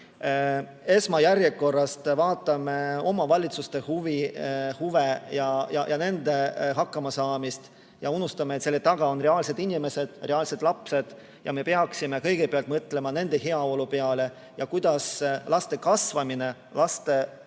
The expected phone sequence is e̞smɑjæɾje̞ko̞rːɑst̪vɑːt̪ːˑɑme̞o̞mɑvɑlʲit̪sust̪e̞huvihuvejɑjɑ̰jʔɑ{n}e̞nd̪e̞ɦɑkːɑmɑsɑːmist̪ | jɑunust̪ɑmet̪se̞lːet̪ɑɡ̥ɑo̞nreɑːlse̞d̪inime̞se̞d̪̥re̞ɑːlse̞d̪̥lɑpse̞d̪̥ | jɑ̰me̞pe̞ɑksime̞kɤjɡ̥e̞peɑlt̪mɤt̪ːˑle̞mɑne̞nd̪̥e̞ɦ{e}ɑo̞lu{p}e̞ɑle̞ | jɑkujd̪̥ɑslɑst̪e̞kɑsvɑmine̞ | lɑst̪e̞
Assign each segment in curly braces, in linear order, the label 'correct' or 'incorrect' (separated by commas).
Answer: correct, correct, correct